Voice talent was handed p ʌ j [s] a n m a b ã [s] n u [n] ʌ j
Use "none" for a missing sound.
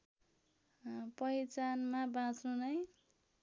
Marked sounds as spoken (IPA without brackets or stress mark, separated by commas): t͡s, t͡s, n